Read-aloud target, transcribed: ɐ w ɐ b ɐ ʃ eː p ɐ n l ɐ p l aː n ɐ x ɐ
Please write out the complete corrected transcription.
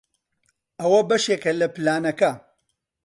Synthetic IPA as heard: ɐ w ɐ b ɐ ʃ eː k ɐ l ɐ p l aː n ɐ k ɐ

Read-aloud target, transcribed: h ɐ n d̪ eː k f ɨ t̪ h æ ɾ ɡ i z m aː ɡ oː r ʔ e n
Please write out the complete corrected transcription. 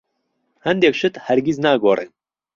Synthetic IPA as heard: h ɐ n d̪ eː k ʃ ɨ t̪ h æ ɾ ɡ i z n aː ɡ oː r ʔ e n

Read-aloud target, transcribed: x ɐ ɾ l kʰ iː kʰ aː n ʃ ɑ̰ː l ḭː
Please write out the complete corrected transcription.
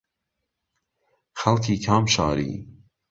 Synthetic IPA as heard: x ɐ l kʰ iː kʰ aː m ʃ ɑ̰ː ɾ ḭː

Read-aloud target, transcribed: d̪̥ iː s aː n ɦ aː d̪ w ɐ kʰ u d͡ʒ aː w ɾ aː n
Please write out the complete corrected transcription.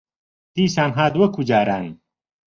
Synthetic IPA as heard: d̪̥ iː s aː n ɦ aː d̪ w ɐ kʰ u d͡ʒ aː ɾ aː n

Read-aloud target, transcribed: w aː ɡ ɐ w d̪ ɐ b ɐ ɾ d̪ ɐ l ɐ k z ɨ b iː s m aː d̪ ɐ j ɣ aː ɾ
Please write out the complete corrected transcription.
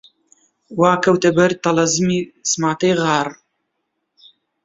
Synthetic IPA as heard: w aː k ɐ w t̪ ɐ b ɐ ɾ t̪ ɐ l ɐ z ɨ m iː s m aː t̪ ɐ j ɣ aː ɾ

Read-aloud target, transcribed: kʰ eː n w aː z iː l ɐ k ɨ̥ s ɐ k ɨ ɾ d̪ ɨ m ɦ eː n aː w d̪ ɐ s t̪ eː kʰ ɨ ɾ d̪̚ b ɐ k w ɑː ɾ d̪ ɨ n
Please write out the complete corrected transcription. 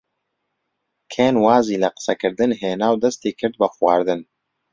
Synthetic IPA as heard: kʰ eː n w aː z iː l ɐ q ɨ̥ s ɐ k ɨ ɾ d̪ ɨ n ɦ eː n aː w d̪ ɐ s t̪ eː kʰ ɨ ɾ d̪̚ b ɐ x w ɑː ɾ d̪ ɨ n

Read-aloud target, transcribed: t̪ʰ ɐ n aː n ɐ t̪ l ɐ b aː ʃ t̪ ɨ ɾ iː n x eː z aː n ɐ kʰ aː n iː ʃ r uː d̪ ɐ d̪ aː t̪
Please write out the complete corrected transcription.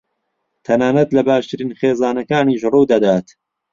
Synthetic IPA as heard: t̪ʰ ɐ n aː n ɐ t̪ l ɐ b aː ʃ t̪ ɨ ɾ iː n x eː z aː n ɐ k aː n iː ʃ r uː d̪ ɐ d̪ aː t̪

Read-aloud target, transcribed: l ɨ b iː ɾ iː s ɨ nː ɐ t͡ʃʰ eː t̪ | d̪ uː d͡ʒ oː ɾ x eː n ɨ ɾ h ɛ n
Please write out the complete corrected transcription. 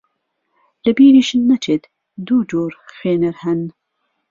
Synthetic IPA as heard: l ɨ b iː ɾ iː ʃ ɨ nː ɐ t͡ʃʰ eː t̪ | d̪ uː d͡ʒ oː ɾ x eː n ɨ ɾ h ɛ n

